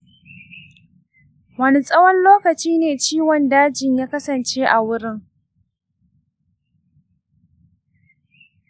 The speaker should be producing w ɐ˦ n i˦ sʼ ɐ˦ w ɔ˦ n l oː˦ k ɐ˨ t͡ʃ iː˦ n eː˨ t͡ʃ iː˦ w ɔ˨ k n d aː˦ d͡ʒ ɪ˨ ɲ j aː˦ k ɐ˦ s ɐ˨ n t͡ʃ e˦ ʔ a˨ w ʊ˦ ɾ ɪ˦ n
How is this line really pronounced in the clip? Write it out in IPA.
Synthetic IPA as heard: w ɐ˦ n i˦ sʼ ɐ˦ w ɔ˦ n l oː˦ k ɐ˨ t͡ʃ iː˦ n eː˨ t͡ʃ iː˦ w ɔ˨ n d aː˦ d͡ʒ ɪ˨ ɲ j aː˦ k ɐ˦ s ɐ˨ n t͡ʃ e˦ ʔ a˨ w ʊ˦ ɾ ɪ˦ ŋ